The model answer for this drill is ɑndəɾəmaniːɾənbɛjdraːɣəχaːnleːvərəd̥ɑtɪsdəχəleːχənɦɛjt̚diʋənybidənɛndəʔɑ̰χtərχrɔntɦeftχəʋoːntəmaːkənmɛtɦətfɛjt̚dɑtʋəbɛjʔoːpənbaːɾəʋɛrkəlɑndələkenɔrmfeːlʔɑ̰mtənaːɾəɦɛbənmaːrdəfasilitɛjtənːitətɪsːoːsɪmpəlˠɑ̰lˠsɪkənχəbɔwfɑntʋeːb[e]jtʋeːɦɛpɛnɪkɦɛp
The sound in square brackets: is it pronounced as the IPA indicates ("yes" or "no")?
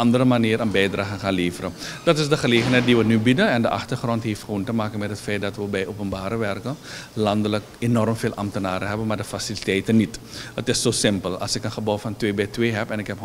no